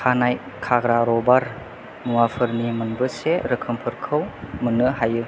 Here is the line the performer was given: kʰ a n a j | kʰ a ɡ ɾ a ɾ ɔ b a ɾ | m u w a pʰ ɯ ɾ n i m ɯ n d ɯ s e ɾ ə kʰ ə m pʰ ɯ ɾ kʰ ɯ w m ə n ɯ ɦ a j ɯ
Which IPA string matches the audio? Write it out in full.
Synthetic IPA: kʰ a n a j | kʰ a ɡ ɾ a ɾ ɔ b a ɾ | m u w a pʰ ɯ ɾ n i m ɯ n b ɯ s e ɾ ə kʰ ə m pʰ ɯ ɾ kʰ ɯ w m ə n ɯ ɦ a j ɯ